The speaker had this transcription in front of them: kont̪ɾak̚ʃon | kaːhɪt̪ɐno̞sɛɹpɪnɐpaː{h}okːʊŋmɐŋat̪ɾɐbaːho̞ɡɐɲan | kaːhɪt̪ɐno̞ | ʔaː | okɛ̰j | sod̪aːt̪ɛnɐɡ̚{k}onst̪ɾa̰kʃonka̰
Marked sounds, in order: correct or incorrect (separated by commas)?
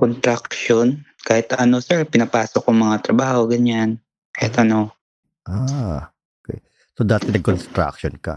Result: incorrect, correct